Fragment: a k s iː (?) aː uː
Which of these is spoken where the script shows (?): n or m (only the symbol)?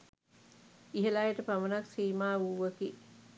m